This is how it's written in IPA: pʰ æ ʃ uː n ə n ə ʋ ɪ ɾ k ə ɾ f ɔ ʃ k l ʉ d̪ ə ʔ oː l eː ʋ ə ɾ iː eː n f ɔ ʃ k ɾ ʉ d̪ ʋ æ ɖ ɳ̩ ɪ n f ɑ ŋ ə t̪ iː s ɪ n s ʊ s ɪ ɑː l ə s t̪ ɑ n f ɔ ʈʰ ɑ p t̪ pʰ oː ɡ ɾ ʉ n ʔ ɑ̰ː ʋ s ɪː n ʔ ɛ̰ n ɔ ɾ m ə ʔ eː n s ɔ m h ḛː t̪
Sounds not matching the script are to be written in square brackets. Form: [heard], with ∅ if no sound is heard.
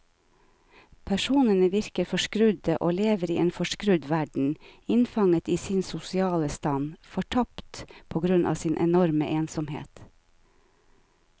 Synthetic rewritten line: pʰ æ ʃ uː n ə n ə ʋ ɪ ɾ k ə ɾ f ɔ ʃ k [ɾ] ʉ d̪ ə ʔ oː l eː ʋ ə ɾ iː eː n f ɔ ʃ k ɾ ʉ d̪ ʋ æ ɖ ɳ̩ ɪ n f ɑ ŋ ə t̪ iː s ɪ n s ʊ s ɪ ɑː l ə s t̪ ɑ n f ɔ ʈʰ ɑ p t̪ pʰ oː ɡ ɾ ʉ n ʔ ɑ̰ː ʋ s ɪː n ʔ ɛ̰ n ɔ ɾ m ə ʔ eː n s ɔ m h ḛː t̪